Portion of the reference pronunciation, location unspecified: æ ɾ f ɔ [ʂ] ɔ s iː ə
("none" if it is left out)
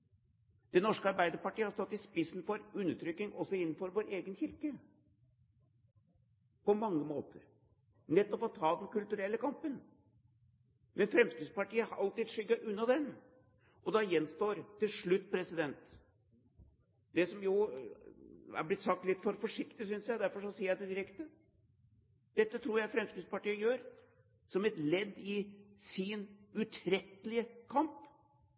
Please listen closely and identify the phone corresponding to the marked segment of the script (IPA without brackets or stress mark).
ʂ